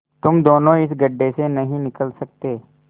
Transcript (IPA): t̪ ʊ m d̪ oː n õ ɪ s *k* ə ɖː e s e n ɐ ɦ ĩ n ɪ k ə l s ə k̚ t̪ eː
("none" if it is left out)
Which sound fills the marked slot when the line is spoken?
ɡ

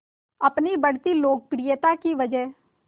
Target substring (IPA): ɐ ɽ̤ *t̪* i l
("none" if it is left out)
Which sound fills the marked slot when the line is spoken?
t̪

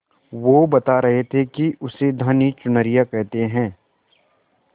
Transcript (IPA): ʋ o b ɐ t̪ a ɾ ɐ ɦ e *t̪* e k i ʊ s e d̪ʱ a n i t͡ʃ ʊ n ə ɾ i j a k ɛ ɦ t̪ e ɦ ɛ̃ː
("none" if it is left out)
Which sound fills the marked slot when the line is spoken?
t̪ʰ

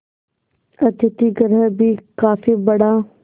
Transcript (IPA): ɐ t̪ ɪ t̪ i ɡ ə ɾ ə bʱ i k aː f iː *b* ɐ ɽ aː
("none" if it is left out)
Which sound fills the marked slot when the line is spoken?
b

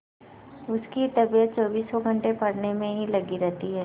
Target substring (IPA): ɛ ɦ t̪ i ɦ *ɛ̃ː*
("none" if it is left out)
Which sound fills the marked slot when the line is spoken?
ɛː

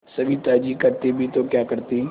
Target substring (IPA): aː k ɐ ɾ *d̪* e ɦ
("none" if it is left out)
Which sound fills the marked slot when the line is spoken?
t̪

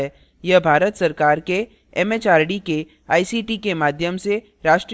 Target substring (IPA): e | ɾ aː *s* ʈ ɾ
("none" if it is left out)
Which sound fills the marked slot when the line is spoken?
ʃ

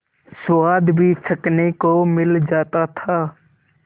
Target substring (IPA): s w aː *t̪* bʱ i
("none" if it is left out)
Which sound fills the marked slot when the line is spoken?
d̪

